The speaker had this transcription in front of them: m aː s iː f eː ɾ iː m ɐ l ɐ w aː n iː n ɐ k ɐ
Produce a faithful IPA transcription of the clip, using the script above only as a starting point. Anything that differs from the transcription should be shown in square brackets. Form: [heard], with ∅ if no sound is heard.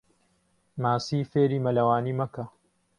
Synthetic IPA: m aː s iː f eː ɾ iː m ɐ l ɐ w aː n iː [m] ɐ k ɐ